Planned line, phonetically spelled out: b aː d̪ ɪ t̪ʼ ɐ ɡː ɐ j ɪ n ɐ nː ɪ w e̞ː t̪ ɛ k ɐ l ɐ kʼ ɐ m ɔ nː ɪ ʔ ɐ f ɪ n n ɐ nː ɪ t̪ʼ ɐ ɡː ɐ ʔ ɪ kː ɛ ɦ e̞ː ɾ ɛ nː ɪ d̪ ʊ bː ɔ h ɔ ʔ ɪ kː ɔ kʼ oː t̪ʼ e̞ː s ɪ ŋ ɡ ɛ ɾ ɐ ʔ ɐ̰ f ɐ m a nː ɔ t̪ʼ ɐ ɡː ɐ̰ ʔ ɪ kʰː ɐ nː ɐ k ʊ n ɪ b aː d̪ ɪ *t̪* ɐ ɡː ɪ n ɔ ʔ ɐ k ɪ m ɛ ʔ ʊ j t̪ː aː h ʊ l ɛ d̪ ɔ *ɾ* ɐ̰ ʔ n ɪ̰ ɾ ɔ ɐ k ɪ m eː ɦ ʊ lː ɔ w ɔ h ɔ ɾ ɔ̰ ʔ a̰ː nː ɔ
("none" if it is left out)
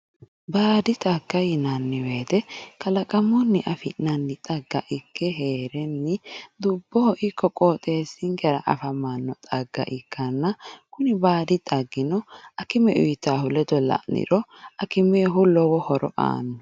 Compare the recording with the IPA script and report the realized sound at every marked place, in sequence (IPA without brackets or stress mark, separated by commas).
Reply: t̪ʼ, l